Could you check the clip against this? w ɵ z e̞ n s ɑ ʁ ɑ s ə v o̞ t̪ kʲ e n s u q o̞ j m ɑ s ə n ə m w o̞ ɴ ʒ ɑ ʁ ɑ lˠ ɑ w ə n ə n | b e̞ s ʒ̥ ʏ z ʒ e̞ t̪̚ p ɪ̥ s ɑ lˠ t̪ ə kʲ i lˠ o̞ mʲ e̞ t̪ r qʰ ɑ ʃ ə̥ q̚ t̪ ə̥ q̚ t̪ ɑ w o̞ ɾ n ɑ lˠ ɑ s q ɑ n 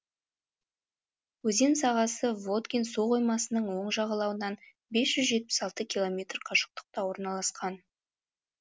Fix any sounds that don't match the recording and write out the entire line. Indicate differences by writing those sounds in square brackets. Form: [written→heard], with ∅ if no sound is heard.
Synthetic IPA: w ɵ z e̞ n s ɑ ʁ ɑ s ə v o̞ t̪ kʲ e n s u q o̞ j m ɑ s ə n ə [m→ɴ] w o̞ ɴ ʒ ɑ ʁ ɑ lˠ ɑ w ə n [ə→ɑ] n | b e̞ s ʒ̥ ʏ z ʒ e̞ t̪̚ p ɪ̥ s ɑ lˠ t̪ ə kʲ i lˠ o̞ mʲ e̞ t̪ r qʰ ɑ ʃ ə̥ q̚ t̪ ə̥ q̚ t̪ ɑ w o̞ ɾ n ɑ lˠ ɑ s q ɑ n